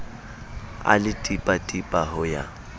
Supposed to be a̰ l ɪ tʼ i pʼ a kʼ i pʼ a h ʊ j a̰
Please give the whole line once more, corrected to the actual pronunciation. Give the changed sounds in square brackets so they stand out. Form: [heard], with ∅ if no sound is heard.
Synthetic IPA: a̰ l ɪ tʼ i pʼ a [tʼ] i pʼ a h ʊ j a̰